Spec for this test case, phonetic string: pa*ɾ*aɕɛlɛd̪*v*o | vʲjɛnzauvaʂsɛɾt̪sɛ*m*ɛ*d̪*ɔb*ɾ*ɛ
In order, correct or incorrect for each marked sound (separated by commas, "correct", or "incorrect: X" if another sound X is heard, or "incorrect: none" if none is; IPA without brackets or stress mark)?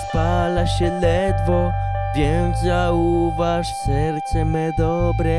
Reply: incorrect: l, correct, correct, correct, correct